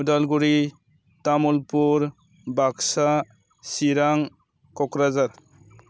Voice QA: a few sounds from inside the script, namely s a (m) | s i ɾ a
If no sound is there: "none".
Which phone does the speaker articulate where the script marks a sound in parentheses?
none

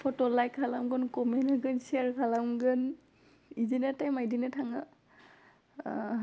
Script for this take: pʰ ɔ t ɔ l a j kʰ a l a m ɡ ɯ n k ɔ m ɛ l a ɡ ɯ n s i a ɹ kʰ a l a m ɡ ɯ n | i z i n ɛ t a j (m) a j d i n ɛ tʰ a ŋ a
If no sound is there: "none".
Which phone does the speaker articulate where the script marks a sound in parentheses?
m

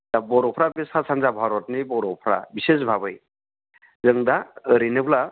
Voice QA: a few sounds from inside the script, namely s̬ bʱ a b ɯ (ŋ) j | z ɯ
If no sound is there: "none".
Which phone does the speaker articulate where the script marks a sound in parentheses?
none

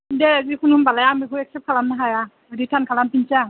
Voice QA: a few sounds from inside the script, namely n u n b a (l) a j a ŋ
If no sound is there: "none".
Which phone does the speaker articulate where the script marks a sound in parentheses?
l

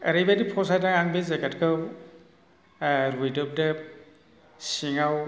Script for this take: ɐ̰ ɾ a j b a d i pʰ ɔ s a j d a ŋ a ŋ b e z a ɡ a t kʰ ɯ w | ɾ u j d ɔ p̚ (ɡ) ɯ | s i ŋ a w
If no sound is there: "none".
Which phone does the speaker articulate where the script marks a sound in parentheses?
d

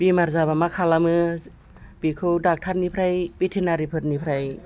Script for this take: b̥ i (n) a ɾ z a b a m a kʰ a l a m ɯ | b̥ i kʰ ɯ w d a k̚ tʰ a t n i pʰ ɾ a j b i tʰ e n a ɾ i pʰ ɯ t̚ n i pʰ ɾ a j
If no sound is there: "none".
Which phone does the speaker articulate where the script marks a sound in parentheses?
m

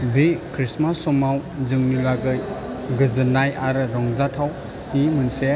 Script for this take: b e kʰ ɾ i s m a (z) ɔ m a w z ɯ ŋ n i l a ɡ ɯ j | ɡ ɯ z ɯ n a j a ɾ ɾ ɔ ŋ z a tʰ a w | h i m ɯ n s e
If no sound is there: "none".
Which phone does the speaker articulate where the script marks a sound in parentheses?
s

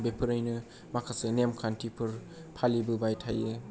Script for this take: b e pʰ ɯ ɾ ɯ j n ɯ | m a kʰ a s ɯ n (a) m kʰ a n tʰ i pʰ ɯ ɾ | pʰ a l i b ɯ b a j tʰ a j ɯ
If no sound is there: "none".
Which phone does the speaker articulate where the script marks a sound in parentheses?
e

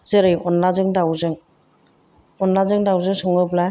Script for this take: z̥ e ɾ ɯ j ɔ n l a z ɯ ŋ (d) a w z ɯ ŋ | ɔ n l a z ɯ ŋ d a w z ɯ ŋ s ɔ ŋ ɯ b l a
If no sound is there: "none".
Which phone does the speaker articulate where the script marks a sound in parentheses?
d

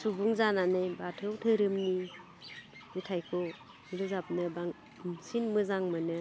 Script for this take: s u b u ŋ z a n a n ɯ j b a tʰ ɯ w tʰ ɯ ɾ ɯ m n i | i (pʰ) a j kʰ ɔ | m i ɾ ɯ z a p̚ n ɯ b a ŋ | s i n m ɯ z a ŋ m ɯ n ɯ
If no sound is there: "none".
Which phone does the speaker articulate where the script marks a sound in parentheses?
tʰ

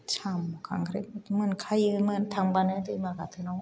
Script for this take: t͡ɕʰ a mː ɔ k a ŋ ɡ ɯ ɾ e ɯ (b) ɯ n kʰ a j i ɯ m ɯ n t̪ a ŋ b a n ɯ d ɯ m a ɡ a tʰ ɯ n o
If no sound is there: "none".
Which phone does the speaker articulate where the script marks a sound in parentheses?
m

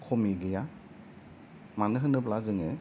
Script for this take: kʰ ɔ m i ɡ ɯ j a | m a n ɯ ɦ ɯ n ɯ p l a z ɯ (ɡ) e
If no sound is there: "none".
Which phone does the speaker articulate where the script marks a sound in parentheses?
ŋ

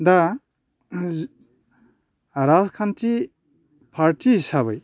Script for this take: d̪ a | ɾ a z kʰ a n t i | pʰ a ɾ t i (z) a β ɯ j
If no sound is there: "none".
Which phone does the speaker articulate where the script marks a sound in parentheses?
s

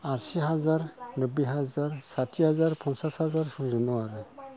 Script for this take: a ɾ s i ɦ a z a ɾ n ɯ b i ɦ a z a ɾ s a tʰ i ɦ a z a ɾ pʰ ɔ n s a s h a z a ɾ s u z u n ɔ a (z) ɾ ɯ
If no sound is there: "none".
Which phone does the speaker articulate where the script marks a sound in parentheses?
none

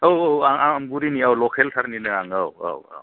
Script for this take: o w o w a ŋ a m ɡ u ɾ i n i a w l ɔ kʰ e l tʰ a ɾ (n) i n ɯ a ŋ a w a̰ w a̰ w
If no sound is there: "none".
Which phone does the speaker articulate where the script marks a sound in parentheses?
n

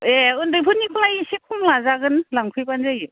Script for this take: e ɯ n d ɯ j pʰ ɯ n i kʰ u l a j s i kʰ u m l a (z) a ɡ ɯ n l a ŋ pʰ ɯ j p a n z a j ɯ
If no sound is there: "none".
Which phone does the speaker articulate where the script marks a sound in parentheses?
z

